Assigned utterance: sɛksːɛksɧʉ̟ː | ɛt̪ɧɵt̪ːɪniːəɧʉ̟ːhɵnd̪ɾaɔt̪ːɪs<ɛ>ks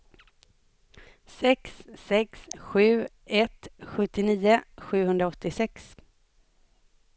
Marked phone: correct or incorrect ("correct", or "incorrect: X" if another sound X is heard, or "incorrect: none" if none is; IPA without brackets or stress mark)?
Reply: correct